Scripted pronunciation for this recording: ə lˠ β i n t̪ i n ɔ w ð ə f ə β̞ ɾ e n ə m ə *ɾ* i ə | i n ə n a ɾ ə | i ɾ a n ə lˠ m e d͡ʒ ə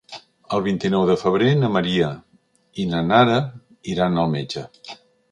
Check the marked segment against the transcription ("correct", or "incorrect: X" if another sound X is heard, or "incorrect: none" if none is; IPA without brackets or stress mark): correct